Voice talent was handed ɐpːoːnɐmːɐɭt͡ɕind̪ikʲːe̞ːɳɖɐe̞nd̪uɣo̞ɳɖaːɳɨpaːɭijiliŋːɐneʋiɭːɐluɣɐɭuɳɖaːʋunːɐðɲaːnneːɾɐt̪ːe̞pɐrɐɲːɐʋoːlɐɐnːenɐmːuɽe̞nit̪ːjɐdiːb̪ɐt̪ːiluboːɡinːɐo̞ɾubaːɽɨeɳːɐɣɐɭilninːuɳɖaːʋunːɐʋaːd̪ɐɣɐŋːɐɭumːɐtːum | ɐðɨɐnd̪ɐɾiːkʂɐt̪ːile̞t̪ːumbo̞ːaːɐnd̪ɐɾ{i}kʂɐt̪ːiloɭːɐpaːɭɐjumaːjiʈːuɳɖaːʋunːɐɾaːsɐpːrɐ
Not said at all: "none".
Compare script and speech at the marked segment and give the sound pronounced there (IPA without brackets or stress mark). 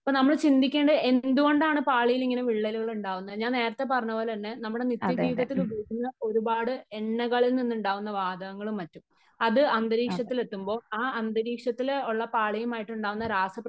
iː